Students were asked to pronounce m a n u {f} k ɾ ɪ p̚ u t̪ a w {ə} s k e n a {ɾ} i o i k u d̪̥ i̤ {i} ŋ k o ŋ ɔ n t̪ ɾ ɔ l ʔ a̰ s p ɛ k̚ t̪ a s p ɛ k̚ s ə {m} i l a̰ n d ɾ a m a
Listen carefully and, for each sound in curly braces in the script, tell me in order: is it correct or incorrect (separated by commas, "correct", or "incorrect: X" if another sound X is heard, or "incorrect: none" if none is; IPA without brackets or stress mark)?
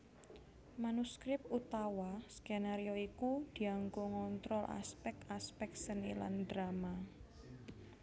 incorrect: s, incorrect: a, correct, incorrect: a, incorrect: n